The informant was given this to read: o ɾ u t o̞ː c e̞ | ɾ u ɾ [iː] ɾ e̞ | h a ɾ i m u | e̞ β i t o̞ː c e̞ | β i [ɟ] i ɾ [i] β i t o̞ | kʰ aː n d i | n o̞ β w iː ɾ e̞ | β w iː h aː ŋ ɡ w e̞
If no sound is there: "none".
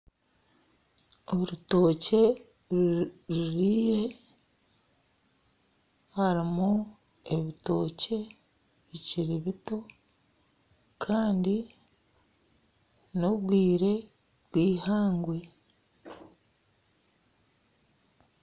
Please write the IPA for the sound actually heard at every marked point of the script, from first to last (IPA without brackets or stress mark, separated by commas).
iː, c, i